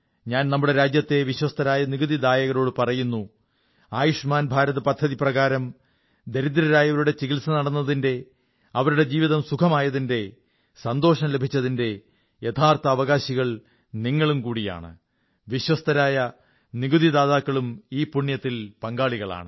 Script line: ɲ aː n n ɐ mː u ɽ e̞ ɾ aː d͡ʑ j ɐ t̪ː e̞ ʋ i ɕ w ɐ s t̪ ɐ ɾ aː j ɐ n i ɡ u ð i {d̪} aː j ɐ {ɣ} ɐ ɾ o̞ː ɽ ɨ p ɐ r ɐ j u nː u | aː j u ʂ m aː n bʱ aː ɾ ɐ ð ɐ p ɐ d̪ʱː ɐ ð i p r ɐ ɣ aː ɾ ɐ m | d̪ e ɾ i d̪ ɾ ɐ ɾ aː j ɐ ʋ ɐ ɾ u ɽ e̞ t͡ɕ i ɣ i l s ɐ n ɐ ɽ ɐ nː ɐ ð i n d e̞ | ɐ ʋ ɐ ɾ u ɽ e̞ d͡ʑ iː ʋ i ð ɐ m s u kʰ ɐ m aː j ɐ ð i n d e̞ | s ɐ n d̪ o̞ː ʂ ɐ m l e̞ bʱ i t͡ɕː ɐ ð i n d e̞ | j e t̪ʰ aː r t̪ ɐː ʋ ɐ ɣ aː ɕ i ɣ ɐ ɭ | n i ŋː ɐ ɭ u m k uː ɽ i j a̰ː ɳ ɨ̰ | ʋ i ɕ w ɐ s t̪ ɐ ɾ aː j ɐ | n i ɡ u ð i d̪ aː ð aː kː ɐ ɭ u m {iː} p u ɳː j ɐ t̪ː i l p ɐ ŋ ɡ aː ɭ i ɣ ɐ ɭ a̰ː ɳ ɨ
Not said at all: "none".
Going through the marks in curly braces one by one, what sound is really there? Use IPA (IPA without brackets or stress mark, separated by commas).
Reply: d̪, ɣ, iː